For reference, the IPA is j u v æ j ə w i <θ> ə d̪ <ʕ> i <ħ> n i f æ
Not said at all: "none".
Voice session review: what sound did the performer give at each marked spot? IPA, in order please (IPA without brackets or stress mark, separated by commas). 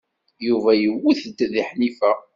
θ, ð, ħ